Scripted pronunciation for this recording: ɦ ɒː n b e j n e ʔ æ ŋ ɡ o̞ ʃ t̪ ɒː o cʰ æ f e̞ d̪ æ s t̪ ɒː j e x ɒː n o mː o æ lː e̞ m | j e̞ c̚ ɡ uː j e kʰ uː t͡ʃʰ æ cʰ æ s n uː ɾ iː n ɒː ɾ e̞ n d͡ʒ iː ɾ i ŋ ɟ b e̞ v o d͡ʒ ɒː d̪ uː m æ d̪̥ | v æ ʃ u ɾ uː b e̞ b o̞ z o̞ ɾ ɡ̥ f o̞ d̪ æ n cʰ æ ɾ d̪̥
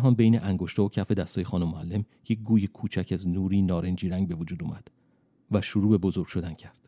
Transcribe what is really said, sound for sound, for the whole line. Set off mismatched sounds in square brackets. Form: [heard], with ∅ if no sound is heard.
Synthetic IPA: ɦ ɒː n b e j n e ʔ æ ŋ ɡ o̞ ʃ t̪ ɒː o cʰ æ f e̞ d̪ æ s t̪ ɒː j e x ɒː n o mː o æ lː e̞ m | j e̞ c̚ ɡ uː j e kʰ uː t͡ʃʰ æ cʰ æ [z] n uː ɾ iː n ɒː ɾ e̞ n d͡ʒ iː ɾ [æ] ŋ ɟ b e̞ v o d͡ʒ [uː] d̪ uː m æ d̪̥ | v æ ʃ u ɾ uː b e̞ b o̞ z o̞ ɾ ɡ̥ [ʃ] o̞ d̪ æ n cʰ æ ɾ d̪̥